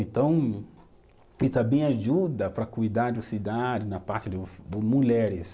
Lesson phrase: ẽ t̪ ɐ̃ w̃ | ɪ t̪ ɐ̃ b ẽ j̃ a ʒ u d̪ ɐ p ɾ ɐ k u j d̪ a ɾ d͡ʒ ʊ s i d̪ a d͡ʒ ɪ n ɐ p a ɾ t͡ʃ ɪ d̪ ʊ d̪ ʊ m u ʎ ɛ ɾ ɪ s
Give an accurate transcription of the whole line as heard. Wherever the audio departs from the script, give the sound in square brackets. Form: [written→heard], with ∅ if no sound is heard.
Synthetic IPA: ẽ t̪ ɐ̃ w̃ | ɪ t̪ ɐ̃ b ẽ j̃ a ʒ u d̪ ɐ p ɾ ɐ k u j d̪ a ɾ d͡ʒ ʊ s i d̪ a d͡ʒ ɪ n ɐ p a ɾ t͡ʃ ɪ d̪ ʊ d̪ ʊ m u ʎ ɛ ɾ ɪ s